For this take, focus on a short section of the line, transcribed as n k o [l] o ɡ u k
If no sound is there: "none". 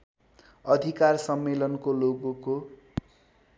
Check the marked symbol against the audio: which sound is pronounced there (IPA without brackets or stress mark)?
l